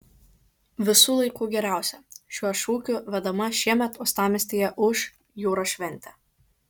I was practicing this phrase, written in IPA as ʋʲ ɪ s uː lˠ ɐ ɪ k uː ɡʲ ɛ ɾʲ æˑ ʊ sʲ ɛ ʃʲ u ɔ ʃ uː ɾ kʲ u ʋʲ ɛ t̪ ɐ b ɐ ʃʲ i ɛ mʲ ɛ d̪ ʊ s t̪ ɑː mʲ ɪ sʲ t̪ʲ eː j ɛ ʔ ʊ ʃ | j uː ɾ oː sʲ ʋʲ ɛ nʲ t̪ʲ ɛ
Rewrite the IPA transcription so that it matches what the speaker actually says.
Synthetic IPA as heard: ʋʲ ɪ s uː lˠ ɐ ɪ k uː ɡʲ ɛ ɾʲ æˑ ʊ sʲ ɛ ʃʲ u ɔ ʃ uː kʲ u ʋʲ ɛ d̪ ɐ m ɐ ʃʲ i ɛ mʲ ɛ t̪ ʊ s t̪ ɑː mʲ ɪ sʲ t̪ʲ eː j ɛ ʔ ʊ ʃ | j uː ɾ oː ʃʲ ʋʲ ɛ nʲ t̪ʲ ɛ